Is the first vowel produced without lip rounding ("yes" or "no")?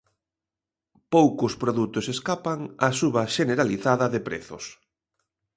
no